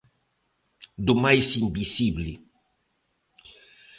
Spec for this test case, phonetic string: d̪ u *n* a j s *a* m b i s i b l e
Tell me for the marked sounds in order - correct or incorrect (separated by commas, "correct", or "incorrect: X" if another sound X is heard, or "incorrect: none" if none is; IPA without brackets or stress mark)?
incorrect: m, incorrect: i